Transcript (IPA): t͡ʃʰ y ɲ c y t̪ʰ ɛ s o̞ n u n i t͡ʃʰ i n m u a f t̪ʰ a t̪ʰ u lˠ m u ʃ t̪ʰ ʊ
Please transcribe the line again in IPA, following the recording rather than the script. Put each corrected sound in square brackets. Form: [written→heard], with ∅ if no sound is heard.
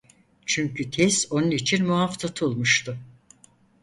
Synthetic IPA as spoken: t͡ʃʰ y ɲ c y t̪ʰ ɛ s o̞ n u n i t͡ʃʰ i n m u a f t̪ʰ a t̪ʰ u lˠ m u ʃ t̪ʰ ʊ